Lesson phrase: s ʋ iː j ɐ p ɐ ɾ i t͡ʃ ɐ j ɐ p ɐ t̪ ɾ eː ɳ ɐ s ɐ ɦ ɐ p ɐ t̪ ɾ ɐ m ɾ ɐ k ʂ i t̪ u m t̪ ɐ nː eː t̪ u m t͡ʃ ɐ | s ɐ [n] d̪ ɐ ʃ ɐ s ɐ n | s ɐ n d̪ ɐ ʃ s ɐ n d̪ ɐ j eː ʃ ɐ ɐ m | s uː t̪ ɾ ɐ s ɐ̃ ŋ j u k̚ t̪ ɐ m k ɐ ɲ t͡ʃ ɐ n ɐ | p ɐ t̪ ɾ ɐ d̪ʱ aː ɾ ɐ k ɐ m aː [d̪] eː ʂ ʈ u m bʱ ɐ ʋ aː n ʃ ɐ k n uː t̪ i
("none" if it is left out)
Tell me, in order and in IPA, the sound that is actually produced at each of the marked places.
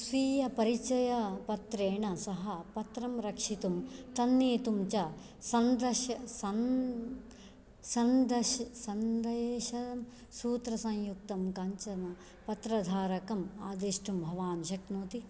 n, d̪

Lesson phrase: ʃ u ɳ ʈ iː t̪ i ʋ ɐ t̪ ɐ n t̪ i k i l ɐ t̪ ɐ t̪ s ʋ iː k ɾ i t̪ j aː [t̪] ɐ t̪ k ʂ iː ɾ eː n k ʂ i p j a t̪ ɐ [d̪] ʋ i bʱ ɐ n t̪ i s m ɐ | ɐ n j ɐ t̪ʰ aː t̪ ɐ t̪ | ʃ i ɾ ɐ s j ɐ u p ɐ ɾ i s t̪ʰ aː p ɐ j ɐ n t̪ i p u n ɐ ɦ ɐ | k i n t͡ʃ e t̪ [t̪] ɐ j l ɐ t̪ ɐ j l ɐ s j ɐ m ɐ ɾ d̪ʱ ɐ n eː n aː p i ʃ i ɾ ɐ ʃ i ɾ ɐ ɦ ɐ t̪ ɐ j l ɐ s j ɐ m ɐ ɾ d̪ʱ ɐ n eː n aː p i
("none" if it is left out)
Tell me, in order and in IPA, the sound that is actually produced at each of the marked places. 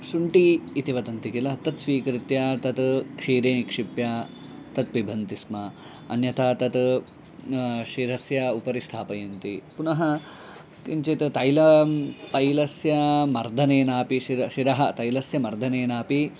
t̪, t̪, t̪

